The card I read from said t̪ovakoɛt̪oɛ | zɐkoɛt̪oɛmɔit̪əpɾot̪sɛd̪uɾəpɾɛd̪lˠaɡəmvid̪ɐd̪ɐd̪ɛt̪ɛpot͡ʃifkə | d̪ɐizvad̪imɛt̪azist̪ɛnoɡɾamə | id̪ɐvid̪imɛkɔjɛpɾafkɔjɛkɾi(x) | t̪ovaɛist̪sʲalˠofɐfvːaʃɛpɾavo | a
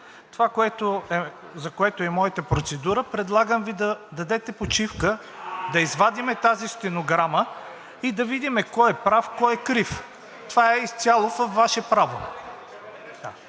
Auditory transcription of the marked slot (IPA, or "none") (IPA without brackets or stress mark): f